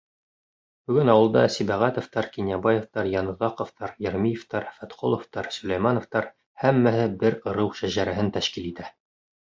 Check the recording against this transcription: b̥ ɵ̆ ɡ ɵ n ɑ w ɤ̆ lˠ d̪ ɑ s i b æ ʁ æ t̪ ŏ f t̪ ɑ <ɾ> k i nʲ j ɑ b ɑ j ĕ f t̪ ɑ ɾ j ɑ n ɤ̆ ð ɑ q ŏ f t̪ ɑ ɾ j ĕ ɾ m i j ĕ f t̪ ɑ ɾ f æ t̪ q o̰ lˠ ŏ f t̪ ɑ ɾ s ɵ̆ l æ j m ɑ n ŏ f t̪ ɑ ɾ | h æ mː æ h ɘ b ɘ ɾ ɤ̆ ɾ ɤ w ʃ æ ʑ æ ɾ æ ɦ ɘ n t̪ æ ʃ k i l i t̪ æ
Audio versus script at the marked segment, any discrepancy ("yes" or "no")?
no